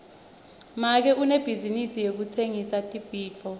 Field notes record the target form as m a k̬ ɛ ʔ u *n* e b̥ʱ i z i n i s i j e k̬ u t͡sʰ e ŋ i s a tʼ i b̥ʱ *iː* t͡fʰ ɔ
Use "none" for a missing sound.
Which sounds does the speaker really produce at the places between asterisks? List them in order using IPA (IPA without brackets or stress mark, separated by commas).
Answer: n, iː